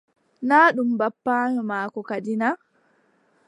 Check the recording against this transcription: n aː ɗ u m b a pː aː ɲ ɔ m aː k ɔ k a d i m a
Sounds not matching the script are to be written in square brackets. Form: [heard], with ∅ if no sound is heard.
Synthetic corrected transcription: n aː ɗ u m b a pː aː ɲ ɔ m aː k ɔ k a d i [n] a